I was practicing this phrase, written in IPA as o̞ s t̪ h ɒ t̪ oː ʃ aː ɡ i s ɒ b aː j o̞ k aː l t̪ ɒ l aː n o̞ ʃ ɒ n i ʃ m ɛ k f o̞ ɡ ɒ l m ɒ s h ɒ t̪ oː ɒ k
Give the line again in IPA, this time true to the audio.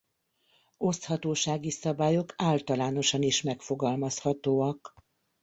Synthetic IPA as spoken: o̞ s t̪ h ɒ t̪ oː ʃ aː ɡ i s ɒ b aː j o̞ k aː l t̪ ɒ l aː n o̞ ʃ ɒ n i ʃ m ɛ k f o̞ ɡ ɒ l m ɒ s h ɒ t̪ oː ɒ k